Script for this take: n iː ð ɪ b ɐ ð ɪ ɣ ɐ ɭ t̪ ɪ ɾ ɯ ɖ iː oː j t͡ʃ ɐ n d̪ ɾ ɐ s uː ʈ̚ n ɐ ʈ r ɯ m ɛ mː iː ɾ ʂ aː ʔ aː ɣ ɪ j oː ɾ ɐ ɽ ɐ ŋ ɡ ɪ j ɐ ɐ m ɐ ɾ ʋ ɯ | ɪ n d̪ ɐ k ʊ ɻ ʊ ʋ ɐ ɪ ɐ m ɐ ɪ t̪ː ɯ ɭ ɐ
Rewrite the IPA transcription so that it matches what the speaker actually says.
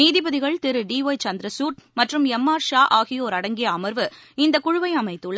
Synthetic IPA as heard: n iː ð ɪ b ɐ ð ɪ ɣ ɐ ɭ t̪ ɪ ɾ ɯ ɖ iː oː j t͡ʃ ɐ n d̪ ɾ ɐ s uː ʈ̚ m ɐ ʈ r ɯ m ɛ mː aː ɾ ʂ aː ʔ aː ɣ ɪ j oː ɾ ɐ ɽ ɐ ŋ ɡ ɪ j ɐ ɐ m ɐ ɾ ʋ ɯ | ɪ n d̪ ɐ k ʊ ɻ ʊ ʋ ɐ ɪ ɐ m ɐ ɪ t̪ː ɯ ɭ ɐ